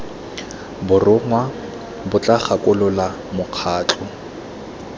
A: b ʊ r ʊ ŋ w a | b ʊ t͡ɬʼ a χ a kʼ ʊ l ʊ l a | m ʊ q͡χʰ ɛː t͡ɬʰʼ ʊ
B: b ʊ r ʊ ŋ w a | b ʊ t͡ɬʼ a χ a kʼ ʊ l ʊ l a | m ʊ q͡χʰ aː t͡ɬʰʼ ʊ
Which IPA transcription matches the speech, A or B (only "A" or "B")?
B